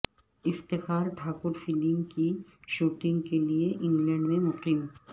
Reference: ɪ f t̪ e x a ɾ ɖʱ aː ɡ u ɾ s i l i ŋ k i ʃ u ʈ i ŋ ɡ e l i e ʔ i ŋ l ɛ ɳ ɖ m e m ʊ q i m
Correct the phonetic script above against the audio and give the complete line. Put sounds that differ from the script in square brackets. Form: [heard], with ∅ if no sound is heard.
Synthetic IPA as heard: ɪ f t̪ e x a ɾ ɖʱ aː [k] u ɾ [f] i l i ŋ k i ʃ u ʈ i ŋ [k] e l i e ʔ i ŋ l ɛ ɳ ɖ m e m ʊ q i m